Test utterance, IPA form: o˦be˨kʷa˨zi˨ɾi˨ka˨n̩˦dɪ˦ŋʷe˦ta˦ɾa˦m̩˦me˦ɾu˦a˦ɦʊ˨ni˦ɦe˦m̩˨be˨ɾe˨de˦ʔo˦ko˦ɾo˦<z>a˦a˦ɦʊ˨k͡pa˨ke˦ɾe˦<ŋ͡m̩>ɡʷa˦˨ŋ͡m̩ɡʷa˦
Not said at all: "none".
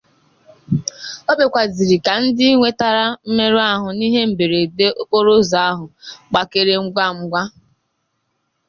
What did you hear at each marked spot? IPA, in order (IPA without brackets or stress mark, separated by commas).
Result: z, ŋ͡m̩